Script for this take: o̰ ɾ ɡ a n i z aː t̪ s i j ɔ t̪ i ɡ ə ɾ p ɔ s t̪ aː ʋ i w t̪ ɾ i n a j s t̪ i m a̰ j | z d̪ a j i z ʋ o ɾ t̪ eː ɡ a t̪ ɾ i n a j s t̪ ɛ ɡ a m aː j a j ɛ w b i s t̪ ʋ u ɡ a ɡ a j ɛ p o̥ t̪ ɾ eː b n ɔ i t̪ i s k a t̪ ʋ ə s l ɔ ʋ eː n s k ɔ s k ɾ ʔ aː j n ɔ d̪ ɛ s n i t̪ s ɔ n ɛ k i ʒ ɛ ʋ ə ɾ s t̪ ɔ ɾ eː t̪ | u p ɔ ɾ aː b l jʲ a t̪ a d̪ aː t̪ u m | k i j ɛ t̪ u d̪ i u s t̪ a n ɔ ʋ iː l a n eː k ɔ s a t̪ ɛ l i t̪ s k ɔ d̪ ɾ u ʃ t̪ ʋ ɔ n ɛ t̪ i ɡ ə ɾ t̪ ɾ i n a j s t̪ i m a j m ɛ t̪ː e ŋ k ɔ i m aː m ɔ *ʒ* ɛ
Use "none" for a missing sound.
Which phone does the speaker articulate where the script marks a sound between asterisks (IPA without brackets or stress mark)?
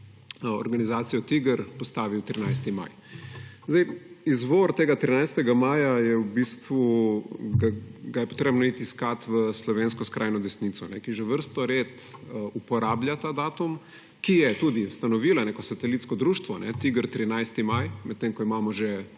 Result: ʒ